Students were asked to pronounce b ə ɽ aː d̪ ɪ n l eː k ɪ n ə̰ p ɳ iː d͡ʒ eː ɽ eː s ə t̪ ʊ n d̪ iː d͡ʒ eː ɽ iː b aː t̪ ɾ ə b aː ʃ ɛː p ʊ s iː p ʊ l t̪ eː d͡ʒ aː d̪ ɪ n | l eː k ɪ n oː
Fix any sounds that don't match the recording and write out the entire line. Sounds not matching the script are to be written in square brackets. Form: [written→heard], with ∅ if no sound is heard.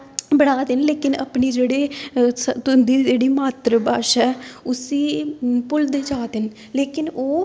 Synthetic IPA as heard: b ə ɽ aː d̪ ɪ n l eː k ɪ n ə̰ p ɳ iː d͡ʒ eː ɽ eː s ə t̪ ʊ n d̪ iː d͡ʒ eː ɽ iː [b→m] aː t̪ ɾ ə b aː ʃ ɛː [p→∅] ʊ s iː p ʊ l [t̪→d̪] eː d͡ʒ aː d̪ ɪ n | l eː k ɪ n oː